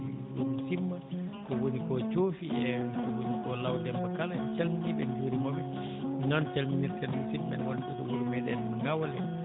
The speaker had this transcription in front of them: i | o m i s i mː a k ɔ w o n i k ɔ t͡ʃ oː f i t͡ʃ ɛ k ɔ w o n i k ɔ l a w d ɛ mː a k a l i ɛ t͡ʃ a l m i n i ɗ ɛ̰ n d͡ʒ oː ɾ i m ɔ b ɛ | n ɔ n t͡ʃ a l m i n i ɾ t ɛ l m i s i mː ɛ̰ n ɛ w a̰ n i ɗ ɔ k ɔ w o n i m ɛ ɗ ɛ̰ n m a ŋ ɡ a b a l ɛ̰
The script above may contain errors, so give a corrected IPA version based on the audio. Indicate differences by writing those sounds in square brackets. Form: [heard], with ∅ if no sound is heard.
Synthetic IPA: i | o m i s i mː a k ɔ w o n i k ɔ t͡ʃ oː f i [∅] ɛ k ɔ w o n i k ɔ l a w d ɛ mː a k a l [a] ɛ t͡ʃ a l m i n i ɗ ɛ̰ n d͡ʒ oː ɾ i m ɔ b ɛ | n ɔ n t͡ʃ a l m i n i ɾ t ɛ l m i s i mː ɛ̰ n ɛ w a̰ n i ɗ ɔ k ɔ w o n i m ɛ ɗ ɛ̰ n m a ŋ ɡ a [w] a l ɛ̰